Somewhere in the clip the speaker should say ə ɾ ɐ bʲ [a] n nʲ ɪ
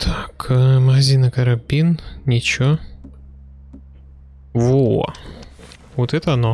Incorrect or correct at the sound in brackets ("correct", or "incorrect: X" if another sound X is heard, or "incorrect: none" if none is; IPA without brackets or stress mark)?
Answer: incorrect: i